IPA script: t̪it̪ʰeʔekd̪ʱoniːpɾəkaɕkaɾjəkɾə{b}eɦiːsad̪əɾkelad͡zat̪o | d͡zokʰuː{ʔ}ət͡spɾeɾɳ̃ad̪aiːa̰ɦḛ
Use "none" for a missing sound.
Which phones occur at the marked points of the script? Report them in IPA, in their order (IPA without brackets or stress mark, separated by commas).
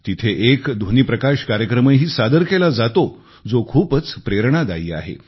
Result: m, p